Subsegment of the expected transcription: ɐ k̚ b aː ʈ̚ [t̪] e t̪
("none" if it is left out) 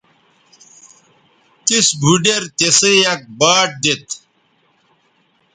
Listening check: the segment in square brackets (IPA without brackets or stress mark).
d̪